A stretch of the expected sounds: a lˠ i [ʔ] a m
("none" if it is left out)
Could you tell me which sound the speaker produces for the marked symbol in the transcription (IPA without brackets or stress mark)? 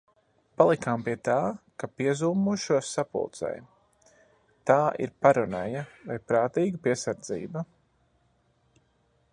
k